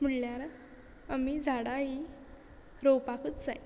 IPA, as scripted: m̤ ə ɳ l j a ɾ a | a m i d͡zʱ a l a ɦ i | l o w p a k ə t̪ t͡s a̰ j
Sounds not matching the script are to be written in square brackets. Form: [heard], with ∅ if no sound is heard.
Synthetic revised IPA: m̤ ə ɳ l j a ɾ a | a m i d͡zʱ a [ɽ] a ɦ i | [ɾ] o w p a k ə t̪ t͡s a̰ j